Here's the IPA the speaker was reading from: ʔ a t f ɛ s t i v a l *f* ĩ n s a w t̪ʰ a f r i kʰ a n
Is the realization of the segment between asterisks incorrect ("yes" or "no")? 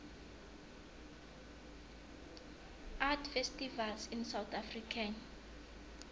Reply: yes